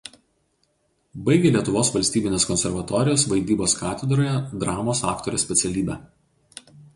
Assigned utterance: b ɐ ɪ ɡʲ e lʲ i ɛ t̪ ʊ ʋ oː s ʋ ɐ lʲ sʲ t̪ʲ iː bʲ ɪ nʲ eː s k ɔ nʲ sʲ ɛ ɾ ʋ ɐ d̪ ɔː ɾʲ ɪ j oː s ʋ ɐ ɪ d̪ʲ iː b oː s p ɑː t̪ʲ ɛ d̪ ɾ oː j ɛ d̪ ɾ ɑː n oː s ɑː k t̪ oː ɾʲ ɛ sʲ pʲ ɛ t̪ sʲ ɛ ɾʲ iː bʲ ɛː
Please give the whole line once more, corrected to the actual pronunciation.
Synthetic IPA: b ɐ ɪ ɡʲ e lʲ i ɛ t̪ ʊ ʋ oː s ʋ ɐ lʲ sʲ t̪ʲ iː bʲ ɪ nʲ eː s k ɔ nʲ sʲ ɛ ɾ ʋ ɐ t̪ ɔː ɾʲ ɪ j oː s ʋ ɐ ɪ d̪ʲ iː b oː s k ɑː t̪ʲ ɛ d̪ ɾ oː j ɛ d̪ ɾ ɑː m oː s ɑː k t̪ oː ɾʲ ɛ sʲ pʲ ɛ t̪ sʲ ɛ lʲ iː bʲ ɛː